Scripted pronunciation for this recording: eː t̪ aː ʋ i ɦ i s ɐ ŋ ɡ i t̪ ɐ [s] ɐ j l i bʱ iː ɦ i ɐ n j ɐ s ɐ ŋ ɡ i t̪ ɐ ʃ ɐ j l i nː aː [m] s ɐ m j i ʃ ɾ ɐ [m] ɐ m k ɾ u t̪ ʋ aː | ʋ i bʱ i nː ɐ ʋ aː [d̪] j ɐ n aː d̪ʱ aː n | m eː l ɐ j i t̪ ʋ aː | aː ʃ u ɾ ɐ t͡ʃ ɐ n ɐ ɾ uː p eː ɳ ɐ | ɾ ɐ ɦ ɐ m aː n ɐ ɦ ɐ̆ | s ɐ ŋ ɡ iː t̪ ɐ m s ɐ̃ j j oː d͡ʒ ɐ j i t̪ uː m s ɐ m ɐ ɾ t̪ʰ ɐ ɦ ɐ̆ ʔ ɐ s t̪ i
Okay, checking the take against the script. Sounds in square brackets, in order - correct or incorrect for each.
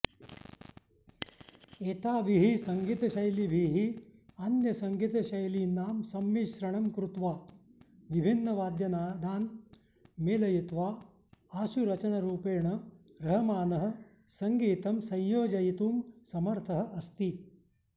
incorrect: ʃ, correct, incorrect: ɳ, correct

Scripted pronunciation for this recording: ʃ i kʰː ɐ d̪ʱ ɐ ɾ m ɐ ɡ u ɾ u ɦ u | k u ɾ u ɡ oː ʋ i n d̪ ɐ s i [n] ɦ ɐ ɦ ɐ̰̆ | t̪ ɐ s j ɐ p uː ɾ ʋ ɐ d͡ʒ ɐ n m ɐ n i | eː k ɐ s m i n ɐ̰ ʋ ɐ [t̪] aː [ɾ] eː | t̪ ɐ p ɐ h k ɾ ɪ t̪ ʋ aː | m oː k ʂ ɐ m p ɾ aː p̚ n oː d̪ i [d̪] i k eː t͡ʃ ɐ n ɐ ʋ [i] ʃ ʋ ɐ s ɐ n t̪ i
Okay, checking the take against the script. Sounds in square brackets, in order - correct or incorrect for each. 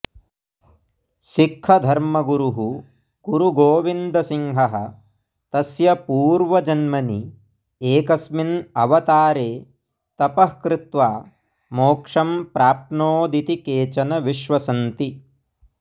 incorrect: ŋ, correct, correct, incorrect: t̪, correct

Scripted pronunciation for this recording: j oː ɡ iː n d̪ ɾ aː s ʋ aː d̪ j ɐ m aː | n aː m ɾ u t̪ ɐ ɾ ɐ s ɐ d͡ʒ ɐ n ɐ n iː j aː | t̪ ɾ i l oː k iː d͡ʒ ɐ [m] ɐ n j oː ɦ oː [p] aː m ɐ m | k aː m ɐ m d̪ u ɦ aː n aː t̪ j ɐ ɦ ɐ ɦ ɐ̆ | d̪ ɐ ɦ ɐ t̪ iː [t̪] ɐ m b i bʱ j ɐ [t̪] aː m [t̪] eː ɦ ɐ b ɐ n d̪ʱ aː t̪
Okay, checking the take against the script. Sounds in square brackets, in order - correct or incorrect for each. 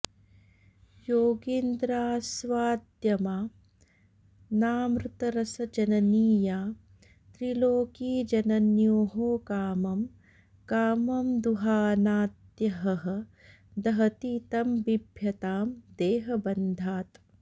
incorrect: n, incorrect: k, correct, correct, incorrect: d̪

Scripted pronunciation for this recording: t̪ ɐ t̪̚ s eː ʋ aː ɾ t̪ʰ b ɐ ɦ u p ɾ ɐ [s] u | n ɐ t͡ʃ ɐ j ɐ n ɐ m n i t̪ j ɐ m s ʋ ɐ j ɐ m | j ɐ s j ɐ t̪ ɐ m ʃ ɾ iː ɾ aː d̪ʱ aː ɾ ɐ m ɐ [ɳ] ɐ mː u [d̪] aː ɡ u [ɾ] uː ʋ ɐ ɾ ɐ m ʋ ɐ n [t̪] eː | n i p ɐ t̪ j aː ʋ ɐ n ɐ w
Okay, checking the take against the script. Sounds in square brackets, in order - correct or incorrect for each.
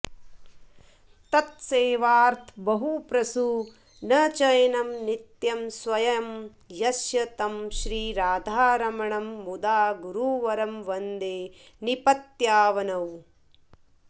correct, correct, correct, correct, incorrect: d̪

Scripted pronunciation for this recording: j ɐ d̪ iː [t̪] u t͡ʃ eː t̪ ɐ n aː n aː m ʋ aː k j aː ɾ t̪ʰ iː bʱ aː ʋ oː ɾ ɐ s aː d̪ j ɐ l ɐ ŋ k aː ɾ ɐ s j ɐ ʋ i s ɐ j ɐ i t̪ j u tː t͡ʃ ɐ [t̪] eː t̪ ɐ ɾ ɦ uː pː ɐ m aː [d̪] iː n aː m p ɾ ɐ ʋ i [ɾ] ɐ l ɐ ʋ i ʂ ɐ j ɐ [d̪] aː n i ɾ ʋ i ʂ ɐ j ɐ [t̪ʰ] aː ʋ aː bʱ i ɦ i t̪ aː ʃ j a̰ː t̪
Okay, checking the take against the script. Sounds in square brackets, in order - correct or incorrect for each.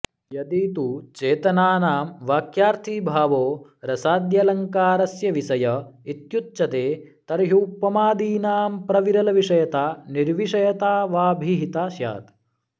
correct, correct, correct, correct, incorrect: t̪, incorrect: t̪

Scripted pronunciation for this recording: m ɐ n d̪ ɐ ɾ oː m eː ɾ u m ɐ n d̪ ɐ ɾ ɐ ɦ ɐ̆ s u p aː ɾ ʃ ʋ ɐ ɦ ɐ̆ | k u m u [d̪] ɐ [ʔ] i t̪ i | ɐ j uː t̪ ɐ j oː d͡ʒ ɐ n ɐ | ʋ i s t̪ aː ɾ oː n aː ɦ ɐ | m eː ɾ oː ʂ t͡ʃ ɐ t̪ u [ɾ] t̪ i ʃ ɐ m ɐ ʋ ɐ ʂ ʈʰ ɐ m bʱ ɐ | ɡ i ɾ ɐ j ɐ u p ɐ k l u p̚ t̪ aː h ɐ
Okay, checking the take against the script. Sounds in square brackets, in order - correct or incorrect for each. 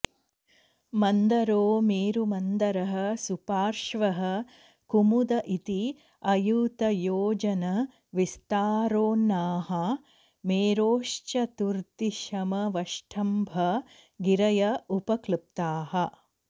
correct, correct, correct

